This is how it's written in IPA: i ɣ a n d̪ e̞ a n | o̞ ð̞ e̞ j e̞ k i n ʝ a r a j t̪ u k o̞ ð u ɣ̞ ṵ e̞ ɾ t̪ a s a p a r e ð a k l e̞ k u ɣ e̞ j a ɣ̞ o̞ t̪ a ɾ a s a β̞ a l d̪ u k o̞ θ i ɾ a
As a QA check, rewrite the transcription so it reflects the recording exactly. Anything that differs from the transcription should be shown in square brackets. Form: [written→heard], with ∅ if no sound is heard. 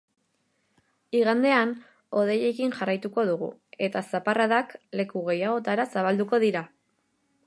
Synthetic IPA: i ɣ a n d̪ e̞ a n | o̞ ð̞ e̞ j e̞ k i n ʝ a r a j t̪ u k o̞ ð u ɣ̞ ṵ e̞ [ɾ→∅] t̪ a s a p a r [e→a] ð a k l e̞ k u ɣ e̞ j a ɣ̞ o̞ t̪ a ɾ a s a β̞ a l d̪ u k o̞ [θ→ð] i ɾ a